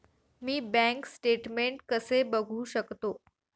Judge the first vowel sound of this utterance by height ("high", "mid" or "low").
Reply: high